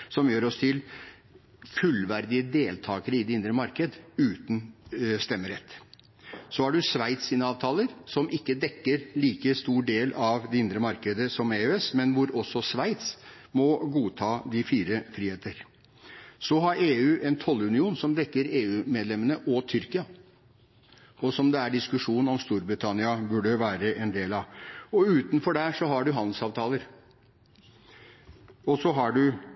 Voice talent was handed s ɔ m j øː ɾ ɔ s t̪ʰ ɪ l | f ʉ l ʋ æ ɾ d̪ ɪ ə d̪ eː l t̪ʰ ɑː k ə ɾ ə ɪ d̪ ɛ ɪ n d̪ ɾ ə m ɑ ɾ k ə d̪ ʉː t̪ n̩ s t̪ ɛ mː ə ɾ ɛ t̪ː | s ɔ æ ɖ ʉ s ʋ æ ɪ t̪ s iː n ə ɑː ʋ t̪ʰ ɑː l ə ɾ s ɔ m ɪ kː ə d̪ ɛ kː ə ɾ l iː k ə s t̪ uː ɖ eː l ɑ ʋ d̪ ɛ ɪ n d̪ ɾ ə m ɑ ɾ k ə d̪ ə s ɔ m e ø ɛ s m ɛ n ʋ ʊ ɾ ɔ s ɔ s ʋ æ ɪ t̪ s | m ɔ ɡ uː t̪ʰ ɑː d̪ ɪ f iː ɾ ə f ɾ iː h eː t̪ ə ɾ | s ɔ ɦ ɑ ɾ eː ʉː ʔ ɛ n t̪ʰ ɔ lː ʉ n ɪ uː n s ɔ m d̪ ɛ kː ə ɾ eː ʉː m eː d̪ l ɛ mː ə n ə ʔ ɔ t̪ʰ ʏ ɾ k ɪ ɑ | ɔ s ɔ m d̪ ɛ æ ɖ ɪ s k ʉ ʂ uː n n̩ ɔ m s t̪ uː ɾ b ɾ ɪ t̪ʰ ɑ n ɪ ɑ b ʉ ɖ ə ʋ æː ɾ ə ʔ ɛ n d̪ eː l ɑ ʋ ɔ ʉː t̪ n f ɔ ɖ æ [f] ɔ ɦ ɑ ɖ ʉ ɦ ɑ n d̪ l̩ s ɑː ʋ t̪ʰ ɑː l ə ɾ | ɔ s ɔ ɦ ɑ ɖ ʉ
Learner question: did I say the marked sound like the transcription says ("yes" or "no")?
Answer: no